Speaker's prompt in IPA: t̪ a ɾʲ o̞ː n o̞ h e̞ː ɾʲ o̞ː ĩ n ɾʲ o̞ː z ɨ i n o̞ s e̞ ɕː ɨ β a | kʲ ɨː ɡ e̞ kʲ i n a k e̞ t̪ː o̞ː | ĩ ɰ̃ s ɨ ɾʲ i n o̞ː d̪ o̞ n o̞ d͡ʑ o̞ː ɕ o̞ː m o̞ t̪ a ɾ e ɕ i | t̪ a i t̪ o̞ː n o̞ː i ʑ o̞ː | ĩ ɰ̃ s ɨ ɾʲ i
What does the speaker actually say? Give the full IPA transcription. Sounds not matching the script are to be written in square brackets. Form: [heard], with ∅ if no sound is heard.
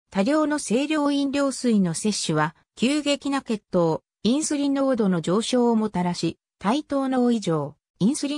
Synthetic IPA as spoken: t̪ a ɾʲ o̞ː n o̞ [s] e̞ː ɾʲ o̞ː ĩ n ɾʲ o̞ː [s] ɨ i n o̞ s e̞ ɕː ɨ β a | kʲ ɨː ɡ e̞ kʲ i n a k e̞ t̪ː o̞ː | ĩ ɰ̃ s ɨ ɾʲ i n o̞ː d̪ o̞ n o̞ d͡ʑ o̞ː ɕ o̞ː m o̞ t̪ a ɾ [a] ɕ i | t̪ a i t̪ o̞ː n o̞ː i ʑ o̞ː | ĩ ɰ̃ s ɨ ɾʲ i